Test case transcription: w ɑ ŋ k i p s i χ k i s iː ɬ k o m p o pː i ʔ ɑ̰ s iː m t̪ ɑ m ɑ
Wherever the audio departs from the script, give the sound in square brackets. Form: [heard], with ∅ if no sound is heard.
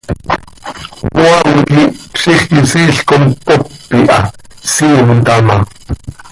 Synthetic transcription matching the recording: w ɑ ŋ k i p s i χ k i s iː ɬ k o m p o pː i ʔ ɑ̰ s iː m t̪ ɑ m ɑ